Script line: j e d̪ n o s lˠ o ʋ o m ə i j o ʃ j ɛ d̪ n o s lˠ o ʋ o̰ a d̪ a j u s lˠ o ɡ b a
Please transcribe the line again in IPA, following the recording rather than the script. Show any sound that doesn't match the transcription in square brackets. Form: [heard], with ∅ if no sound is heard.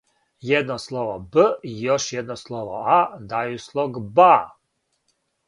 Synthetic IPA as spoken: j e d̪ n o s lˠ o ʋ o [b] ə i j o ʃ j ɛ d̪ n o s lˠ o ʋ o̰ a d̪ a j u s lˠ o ɡ b a